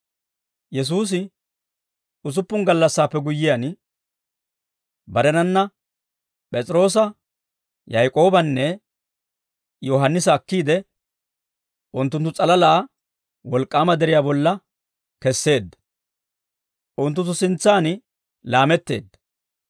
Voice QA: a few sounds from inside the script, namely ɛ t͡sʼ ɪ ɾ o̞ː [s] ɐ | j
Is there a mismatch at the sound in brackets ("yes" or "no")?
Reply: no